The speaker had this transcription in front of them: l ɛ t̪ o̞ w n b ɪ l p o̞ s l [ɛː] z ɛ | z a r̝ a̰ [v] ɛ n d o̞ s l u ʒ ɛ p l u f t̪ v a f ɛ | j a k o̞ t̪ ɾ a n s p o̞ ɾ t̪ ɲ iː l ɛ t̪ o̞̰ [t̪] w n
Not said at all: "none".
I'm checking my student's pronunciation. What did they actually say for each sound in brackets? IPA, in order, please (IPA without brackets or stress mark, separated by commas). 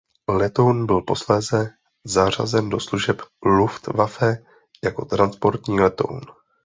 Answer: ɛː, z, none